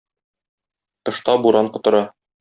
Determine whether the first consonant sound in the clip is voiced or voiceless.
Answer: voiceless